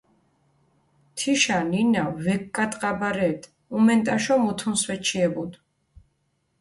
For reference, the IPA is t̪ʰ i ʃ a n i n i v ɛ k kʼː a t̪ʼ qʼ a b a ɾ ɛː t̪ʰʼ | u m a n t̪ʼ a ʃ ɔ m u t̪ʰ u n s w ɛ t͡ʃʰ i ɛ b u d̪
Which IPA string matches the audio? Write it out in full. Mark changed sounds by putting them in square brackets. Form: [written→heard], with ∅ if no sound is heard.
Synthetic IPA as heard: t̪ʰ i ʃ a n i n [i→a] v ɛ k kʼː a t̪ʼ qʼ a b a ɾ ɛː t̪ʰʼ | u m [a→ɛ] n t̪ʼ a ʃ ɔ m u t̪ʰ u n s w ɛ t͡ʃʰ i ɛ b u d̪